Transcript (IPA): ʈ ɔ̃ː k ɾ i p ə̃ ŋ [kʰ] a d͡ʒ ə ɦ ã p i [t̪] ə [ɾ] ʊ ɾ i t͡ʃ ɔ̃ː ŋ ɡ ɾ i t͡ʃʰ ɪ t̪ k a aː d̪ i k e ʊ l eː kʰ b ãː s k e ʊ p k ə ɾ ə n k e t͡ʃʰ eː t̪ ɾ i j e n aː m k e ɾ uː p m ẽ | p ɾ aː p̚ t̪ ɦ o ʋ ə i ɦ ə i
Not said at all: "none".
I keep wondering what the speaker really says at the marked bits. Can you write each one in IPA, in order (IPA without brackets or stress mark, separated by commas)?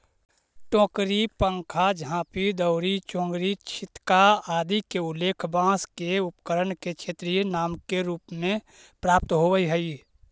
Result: kʰ, d̪, none